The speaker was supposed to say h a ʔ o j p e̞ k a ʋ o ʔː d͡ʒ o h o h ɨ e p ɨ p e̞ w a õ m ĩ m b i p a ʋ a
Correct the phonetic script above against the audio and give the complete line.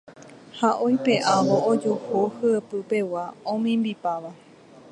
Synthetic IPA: h a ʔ o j p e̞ ʔ a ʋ o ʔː d͡ʒ o h o h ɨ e p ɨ p e̞ w a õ m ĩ m b i p a ʋ a